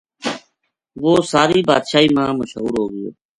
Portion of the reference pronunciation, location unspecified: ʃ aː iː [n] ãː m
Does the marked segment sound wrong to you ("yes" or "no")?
yes